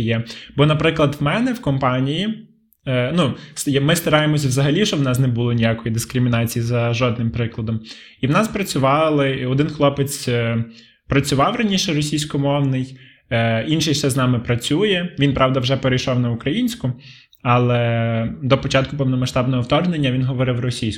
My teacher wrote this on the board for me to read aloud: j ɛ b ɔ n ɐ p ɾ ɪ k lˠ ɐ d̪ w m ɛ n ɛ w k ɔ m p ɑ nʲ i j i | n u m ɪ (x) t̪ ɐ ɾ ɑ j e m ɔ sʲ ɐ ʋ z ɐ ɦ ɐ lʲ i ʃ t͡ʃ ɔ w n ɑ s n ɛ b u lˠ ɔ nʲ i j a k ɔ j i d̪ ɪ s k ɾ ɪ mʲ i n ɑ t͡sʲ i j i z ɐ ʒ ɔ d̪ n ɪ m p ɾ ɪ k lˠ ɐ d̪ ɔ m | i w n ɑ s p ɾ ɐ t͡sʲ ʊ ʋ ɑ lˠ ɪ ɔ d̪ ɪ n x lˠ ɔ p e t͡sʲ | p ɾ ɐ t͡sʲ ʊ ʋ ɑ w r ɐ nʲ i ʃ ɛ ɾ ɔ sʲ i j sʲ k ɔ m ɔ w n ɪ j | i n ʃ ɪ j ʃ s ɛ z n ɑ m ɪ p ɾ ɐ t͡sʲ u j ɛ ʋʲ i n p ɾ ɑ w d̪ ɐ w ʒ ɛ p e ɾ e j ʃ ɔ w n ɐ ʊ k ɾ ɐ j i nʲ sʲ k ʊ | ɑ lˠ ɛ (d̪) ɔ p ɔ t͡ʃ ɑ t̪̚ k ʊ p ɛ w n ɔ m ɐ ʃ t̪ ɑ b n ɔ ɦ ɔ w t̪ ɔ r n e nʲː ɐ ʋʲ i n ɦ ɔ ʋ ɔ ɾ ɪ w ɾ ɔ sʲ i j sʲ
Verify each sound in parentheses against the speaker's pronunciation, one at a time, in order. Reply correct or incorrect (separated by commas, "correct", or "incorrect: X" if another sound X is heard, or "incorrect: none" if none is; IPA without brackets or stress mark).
incorrect: s, correct